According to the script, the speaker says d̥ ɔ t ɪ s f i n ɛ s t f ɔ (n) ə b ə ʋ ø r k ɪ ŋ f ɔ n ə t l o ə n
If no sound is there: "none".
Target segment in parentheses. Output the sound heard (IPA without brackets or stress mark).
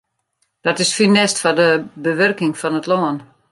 d